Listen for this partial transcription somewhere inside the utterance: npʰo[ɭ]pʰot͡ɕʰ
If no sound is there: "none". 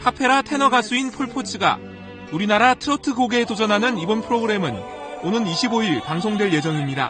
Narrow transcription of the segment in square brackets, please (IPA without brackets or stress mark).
ɭ